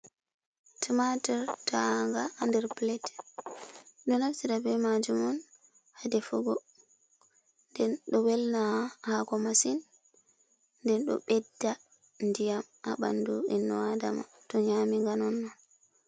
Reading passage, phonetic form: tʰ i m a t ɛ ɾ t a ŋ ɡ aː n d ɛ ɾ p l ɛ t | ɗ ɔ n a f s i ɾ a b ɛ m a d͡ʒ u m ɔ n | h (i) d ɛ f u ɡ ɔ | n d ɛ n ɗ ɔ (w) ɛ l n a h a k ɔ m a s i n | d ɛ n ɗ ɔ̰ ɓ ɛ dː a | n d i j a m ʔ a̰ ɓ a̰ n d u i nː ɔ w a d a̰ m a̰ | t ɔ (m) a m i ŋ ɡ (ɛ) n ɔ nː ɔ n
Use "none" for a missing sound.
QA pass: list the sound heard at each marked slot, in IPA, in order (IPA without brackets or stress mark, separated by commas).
a, w, ɲ, a